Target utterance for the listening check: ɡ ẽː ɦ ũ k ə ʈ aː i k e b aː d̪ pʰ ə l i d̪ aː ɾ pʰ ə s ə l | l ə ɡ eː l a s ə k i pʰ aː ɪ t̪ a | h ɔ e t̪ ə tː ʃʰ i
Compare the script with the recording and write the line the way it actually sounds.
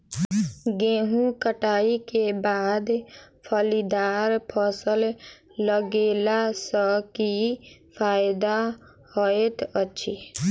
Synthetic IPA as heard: ɡ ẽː ɦ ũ k ə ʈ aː i k e b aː d̪ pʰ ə l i d̪ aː ɾ pʰ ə s ə l | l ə ɡ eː l a s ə k i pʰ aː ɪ d̪ a | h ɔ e t̪ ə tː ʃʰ i